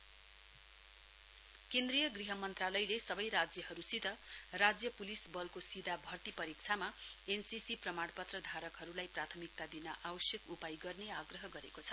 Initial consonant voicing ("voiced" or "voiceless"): voiceless